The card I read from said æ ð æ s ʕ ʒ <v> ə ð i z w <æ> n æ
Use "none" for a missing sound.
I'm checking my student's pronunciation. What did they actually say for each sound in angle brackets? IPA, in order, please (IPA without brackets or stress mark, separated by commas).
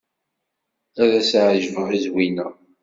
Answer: v, i